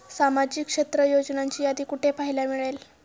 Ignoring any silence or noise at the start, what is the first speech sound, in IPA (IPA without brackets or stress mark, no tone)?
s